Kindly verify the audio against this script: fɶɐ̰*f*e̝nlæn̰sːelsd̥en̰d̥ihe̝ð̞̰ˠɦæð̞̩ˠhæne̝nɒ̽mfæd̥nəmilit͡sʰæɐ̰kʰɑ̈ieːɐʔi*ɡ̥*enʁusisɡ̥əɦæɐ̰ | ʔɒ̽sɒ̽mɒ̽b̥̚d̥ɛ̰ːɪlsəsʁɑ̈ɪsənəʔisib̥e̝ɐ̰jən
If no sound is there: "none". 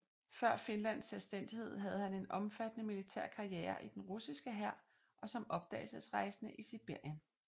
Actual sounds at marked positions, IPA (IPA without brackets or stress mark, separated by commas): f, d̥